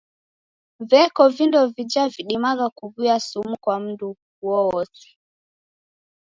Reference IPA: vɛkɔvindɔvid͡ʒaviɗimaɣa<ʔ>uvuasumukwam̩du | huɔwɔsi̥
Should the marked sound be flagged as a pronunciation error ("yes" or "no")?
yes